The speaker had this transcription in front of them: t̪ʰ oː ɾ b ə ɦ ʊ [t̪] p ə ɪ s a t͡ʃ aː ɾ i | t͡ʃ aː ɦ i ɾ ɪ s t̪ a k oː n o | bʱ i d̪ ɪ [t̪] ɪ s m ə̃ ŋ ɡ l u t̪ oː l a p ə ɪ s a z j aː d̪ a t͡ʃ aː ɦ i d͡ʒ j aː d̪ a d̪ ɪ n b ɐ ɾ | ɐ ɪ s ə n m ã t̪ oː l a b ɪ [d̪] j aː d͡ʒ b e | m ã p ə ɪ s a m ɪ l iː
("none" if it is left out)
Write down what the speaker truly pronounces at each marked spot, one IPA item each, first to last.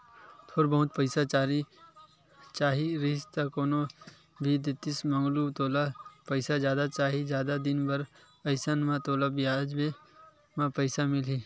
t̪, t̪, none

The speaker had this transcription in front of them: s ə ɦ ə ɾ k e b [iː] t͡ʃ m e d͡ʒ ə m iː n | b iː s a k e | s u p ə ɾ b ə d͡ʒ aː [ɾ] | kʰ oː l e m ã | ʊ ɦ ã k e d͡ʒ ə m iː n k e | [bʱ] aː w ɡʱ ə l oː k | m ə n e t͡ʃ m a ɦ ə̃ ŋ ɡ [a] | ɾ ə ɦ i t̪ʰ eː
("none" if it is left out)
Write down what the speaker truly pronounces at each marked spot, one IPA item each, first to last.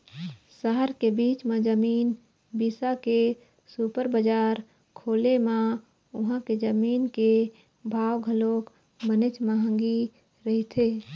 iː, ɾ, bʱ, i

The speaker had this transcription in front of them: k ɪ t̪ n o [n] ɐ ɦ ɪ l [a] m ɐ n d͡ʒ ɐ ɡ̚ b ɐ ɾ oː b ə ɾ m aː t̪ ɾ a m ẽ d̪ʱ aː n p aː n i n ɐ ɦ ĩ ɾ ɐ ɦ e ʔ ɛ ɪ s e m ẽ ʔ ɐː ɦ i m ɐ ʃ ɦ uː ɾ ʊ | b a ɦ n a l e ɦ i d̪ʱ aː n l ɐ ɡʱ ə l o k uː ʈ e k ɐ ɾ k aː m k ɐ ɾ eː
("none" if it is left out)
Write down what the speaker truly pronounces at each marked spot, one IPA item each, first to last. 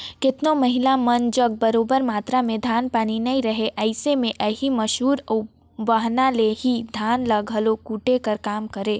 m, a

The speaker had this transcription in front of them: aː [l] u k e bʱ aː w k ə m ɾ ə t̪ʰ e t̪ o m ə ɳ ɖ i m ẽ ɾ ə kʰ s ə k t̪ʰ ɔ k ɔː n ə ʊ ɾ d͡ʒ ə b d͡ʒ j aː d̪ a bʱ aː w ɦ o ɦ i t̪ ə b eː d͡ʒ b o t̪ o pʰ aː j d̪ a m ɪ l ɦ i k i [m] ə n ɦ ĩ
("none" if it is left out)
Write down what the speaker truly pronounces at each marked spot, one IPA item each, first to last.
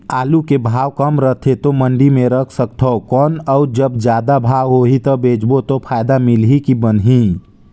l, b

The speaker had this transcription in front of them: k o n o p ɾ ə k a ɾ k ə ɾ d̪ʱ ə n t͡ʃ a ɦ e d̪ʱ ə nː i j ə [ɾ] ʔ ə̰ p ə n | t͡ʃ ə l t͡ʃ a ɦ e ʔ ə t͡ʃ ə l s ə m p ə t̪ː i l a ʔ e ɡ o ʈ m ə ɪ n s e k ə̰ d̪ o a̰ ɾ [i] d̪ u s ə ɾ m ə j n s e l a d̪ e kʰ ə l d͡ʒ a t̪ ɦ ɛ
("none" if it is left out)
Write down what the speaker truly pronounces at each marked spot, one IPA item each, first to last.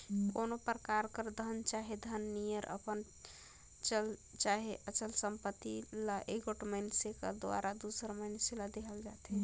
ɾ, a

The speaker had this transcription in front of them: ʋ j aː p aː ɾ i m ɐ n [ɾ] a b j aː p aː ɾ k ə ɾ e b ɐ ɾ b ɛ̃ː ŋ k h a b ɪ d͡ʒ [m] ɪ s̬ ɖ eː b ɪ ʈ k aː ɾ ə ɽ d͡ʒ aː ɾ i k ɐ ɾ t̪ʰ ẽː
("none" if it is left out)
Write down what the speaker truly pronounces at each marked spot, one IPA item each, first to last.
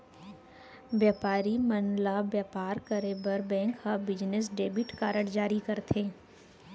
l, n

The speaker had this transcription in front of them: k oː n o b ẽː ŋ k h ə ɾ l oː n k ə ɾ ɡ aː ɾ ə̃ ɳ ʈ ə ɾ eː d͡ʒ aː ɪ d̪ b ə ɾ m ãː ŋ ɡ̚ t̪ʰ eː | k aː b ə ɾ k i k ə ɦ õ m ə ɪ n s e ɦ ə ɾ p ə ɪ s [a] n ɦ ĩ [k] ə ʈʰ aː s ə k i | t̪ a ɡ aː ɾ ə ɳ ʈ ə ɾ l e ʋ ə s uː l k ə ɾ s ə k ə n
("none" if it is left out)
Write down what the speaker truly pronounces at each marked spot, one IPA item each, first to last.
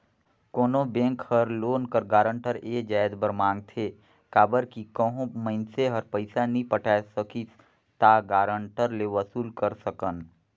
a, p

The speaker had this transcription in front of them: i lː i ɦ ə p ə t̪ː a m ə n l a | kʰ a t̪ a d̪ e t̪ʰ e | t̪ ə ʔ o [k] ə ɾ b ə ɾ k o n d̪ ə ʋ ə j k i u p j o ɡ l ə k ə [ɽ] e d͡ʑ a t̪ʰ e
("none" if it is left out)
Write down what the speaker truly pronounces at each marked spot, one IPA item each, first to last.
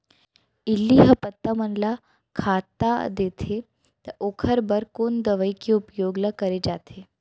kʰ, ɾ

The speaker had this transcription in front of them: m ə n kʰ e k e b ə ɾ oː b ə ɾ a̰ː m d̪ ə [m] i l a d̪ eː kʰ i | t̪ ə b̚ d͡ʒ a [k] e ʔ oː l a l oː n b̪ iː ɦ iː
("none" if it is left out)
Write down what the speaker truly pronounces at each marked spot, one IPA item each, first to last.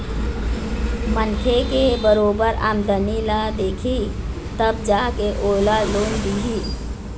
n, k

